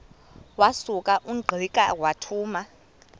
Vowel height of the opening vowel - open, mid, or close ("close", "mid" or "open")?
open